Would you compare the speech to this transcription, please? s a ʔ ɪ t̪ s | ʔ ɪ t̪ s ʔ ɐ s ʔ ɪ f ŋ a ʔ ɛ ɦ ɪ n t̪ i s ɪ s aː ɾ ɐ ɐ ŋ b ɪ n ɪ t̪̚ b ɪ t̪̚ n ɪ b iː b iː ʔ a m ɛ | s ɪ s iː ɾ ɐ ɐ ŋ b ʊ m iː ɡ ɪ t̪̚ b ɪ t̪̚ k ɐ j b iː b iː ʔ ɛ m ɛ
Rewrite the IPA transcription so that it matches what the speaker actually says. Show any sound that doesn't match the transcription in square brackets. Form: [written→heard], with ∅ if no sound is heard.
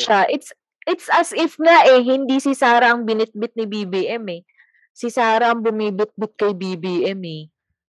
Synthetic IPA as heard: [s→ʃ] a ʔ ɪ t̪ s | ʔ ɪ t̪ s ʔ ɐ s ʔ ɪ f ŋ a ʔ ɛ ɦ ɪ n [t̪→d̪] i s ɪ s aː ɾ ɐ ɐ ŋ b ɪ n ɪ t̪̚ b ɪ t̪̚ n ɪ b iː b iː ʔ [a→ɛ] m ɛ | s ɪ s [iː→aː] ɾ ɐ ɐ ŋ b ʊ m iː [ɡ→b] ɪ t̪̚ b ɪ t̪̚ k ɐ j b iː b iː ʔ ɛ m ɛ